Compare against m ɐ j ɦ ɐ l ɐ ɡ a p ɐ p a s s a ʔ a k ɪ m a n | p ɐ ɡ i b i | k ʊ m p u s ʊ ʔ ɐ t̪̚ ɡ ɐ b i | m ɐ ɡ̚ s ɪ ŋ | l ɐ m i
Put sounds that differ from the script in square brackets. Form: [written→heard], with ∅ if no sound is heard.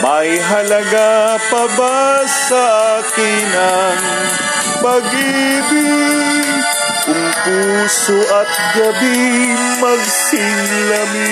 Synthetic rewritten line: m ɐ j ɦ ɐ l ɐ ɡ a p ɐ [p→b] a s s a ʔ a k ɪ [m→n] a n | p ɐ ɡ i b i | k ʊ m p u s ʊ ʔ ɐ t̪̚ ɡ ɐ b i | m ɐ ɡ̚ s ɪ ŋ | l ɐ m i